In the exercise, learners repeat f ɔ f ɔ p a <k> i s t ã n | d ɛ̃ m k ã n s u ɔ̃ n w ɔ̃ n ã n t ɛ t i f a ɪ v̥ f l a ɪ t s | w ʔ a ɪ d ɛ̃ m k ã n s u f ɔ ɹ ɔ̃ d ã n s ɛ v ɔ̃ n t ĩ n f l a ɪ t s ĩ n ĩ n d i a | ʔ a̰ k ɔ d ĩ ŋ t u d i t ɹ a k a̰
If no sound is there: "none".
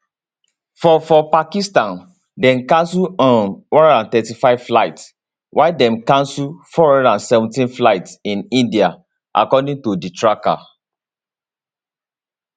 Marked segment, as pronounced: k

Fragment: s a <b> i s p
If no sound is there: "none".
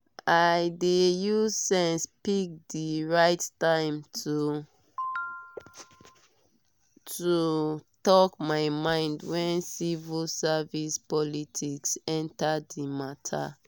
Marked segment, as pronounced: v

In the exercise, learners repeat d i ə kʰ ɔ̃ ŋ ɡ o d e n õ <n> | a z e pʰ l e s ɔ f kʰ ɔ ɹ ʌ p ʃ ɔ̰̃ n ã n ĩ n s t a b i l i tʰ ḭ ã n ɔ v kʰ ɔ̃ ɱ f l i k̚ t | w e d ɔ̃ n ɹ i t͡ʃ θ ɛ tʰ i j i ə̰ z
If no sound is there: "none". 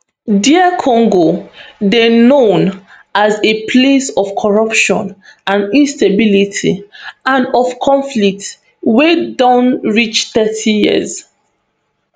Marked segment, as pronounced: n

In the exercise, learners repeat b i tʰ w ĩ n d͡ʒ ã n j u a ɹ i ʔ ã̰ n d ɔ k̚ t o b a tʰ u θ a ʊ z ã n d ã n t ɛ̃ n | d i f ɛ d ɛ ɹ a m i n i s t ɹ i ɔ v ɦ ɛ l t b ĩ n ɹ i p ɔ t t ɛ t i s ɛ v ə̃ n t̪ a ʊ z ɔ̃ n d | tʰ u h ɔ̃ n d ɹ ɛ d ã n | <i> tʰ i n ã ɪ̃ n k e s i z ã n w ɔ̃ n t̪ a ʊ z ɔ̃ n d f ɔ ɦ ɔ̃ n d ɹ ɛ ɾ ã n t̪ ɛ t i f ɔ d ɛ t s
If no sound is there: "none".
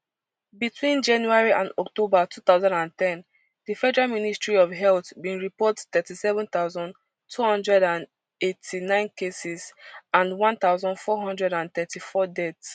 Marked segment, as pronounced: e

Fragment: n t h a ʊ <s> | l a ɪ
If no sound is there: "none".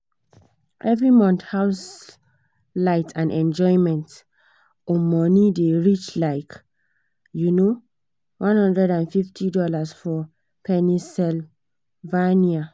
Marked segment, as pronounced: s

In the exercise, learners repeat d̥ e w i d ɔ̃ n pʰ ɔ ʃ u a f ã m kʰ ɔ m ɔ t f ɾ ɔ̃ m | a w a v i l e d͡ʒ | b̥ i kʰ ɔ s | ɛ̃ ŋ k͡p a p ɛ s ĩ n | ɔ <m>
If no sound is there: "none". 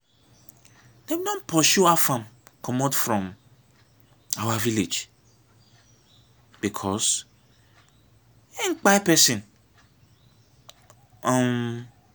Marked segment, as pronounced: m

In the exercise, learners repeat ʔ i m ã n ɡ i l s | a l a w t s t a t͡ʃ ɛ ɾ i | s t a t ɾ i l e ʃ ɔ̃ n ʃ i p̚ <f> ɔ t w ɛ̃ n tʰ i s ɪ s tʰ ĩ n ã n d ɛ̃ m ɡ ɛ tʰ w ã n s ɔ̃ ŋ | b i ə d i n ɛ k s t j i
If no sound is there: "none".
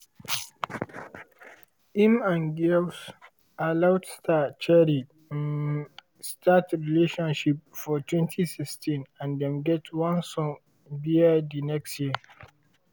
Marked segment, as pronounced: f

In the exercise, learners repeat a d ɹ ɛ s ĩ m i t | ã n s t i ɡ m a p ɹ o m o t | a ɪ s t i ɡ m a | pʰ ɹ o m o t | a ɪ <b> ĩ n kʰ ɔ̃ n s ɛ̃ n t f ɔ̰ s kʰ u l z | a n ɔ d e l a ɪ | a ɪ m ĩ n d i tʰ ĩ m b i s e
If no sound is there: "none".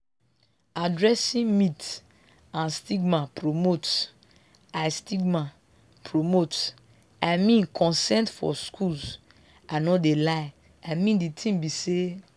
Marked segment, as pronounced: m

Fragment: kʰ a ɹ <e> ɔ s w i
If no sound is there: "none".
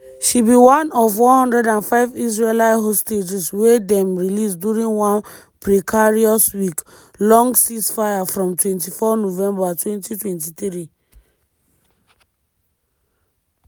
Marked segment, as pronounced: i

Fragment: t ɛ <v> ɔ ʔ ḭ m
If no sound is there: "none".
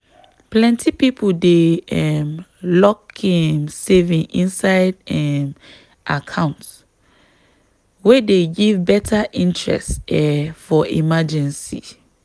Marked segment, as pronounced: f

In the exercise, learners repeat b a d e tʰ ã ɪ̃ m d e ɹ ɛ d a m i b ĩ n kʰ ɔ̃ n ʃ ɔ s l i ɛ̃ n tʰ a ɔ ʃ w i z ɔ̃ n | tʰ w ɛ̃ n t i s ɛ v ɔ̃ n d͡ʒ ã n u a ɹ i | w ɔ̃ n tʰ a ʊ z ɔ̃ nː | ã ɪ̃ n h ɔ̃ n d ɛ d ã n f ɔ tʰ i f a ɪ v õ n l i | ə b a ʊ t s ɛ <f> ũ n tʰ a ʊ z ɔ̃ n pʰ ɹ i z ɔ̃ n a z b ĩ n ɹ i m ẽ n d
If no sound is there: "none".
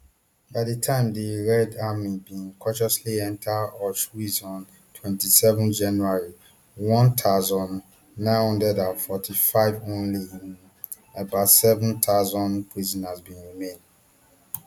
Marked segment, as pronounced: v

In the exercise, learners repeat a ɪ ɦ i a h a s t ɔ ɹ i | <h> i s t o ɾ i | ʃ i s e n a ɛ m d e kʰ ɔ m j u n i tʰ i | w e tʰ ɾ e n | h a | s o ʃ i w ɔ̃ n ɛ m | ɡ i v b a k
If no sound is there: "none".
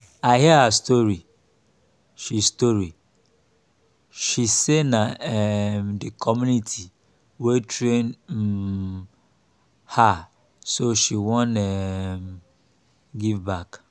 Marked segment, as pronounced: ʃ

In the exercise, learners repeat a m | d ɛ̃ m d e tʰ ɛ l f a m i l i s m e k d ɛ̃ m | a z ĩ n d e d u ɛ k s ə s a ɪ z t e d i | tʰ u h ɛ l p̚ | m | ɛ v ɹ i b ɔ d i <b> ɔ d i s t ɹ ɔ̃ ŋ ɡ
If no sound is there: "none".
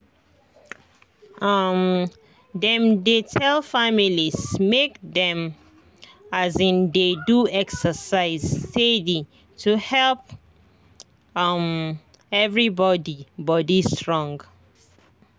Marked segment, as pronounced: b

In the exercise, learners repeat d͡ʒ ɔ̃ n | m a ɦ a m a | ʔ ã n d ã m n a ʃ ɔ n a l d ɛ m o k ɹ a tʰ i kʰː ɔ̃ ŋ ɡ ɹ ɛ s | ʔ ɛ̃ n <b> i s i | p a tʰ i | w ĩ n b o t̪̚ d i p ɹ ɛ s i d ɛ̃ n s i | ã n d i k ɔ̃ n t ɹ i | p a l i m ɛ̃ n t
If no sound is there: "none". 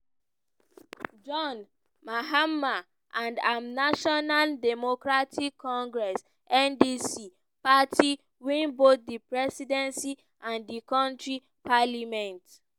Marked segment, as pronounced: d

